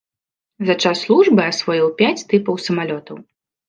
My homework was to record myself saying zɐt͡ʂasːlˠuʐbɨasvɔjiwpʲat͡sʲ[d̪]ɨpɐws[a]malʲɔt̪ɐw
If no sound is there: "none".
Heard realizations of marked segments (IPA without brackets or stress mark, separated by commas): t̪, ɐ